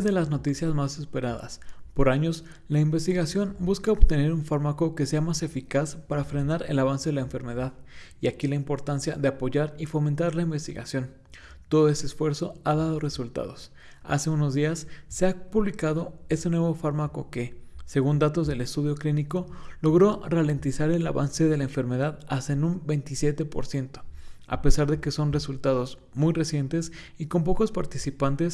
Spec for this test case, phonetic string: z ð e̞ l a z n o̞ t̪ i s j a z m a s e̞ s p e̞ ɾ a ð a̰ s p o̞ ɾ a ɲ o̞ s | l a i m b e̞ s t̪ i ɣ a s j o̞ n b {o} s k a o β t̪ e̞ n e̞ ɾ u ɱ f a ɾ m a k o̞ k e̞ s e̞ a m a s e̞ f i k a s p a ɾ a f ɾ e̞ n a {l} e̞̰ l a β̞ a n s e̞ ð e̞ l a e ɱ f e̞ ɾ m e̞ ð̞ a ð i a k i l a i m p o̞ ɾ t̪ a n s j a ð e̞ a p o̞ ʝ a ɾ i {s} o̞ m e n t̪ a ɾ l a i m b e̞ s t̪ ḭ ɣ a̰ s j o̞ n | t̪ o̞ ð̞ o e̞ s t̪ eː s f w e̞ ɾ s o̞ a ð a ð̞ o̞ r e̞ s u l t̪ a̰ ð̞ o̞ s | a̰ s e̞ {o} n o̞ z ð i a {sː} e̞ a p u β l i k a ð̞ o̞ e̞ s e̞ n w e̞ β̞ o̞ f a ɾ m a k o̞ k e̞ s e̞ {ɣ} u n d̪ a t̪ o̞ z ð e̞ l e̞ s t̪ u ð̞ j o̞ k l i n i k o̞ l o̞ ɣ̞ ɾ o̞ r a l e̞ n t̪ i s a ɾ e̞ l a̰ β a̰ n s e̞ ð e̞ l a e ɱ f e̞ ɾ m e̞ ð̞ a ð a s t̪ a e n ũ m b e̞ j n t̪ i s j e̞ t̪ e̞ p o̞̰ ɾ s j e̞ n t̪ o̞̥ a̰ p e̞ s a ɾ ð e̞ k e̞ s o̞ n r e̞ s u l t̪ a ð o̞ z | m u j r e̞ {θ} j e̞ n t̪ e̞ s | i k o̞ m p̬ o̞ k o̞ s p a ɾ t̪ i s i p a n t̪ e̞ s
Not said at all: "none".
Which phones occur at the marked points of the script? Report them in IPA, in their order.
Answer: u, ɾ, f, u, sː, ɣ, s

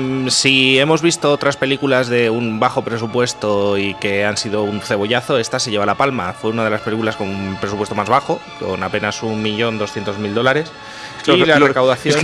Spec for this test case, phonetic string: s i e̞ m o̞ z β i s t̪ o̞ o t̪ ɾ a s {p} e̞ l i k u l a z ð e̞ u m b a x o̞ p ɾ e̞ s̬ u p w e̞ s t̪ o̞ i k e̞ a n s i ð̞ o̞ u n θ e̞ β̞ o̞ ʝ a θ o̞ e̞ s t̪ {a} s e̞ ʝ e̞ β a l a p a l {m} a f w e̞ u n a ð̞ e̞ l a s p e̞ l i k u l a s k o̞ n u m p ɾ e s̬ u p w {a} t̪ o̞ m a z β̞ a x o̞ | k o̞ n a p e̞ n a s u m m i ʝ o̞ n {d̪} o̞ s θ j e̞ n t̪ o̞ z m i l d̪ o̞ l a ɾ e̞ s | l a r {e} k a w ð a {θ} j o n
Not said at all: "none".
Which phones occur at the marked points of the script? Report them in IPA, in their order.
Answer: p, a, m, e, d̪, e, θ

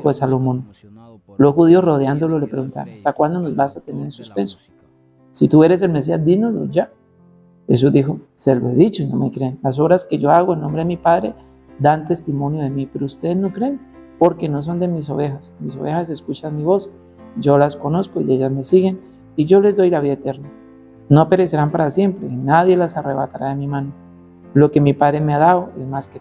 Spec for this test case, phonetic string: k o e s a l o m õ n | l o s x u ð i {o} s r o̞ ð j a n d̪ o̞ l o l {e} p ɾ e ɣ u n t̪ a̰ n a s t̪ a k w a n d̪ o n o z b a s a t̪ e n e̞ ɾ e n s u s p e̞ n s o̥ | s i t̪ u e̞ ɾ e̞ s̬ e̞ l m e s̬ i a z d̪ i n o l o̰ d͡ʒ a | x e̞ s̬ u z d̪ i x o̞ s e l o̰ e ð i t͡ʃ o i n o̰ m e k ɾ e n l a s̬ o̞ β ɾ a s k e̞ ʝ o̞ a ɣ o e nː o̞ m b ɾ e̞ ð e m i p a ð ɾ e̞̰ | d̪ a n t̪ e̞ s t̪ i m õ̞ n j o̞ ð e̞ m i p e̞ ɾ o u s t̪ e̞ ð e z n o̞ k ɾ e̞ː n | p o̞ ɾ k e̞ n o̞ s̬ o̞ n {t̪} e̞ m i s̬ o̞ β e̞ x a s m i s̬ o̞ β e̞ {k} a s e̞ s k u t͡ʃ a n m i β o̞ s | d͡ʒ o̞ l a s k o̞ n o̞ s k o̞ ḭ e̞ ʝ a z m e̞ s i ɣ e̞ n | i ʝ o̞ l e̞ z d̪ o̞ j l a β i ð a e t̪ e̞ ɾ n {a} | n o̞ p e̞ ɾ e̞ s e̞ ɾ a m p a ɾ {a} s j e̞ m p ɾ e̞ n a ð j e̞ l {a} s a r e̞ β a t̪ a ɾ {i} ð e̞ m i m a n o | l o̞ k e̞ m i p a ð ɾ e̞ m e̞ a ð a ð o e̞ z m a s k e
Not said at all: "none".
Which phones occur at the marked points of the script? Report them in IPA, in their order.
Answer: o, e, d̪, x, a, a, a, a

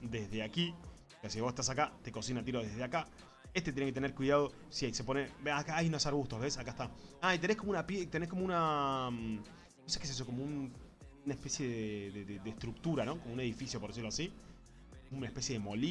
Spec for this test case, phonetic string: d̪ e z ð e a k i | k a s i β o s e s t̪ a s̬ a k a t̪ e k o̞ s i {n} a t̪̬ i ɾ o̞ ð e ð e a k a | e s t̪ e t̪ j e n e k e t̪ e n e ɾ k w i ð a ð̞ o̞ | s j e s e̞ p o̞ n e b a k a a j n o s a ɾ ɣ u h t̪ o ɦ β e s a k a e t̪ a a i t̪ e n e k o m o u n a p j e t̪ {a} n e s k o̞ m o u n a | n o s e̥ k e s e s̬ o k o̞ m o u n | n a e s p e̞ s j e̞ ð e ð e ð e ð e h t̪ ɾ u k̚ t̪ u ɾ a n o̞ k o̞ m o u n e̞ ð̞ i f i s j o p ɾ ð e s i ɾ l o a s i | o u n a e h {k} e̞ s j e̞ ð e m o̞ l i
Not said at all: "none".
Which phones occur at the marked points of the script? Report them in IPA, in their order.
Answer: n, e, p

